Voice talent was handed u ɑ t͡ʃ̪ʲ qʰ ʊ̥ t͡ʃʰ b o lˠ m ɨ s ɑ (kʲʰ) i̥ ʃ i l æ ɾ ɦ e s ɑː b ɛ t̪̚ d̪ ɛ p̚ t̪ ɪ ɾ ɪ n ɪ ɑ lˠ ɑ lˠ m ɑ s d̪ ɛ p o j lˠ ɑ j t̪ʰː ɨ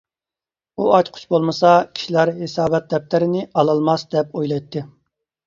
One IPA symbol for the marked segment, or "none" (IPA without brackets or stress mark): kʲʰ